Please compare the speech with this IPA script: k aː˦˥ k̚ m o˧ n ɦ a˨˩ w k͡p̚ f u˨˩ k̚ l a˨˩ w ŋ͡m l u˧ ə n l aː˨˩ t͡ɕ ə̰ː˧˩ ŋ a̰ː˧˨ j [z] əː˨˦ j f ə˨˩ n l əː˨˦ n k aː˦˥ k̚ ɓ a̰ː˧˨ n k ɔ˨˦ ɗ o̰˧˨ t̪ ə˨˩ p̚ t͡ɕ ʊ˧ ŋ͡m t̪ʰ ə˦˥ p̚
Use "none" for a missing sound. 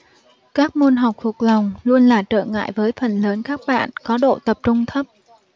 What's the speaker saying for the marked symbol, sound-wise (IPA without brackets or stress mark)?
v